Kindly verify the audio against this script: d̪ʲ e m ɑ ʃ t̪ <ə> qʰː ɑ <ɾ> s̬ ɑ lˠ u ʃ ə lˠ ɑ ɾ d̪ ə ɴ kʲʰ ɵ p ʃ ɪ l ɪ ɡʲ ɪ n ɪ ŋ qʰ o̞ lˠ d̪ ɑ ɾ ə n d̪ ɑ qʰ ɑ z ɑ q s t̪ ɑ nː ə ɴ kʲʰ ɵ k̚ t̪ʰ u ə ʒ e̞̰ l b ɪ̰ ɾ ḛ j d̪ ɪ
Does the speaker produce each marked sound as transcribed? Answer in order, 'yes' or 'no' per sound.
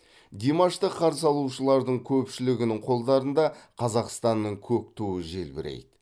yes, yes

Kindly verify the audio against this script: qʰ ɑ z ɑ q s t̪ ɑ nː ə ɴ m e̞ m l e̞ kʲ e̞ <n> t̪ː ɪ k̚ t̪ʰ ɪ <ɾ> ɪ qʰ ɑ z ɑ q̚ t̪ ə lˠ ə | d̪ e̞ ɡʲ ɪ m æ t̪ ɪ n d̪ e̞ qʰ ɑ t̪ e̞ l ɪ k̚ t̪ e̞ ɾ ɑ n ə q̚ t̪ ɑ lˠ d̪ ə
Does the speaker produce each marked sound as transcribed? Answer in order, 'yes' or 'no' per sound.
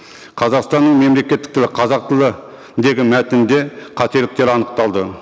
no, no

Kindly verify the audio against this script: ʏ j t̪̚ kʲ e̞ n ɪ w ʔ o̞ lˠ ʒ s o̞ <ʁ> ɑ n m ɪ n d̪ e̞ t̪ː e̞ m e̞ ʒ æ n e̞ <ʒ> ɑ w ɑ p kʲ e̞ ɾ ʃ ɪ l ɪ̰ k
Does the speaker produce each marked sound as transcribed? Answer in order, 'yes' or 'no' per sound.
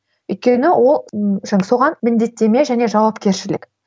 yes, yes

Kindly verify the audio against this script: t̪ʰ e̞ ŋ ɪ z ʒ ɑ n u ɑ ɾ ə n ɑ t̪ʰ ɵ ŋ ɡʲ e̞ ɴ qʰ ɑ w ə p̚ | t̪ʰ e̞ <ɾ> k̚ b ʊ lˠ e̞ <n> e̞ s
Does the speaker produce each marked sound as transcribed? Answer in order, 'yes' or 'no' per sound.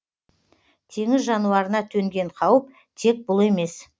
no, no

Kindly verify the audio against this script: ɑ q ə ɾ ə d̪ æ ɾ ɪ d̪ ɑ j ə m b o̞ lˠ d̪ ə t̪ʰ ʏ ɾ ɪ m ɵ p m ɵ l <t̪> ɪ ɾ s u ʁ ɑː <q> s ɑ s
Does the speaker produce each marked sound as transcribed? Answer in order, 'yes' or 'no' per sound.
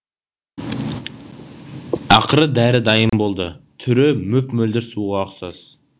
no, yes

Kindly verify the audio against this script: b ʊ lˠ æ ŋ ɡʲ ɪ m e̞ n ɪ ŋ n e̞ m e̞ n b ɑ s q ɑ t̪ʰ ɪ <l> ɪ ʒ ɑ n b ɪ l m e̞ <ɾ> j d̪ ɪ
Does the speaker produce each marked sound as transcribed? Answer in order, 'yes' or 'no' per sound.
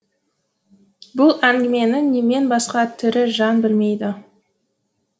no, no

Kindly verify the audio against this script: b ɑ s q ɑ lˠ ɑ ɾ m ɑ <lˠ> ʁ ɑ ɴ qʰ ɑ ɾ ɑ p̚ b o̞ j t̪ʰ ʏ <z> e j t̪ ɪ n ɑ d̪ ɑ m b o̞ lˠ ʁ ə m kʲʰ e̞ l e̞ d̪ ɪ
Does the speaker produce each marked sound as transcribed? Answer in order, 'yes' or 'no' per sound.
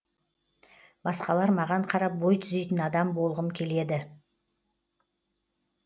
no, yes

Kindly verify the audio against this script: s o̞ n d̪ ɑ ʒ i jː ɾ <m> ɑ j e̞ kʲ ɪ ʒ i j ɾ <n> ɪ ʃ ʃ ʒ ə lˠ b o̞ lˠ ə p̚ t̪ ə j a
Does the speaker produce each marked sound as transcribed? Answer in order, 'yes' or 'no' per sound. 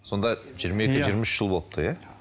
yes, no

